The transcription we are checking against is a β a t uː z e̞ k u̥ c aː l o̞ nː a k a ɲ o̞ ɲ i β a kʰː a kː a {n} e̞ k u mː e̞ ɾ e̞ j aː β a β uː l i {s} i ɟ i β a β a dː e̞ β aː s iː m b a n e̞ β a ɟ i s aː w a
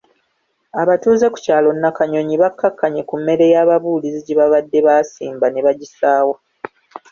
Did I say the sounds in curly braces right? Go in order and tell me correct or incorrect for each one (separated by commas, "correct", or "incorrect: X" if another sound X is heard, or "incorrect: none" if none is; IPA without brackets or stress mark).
incorrect: ɲ, incorrect: z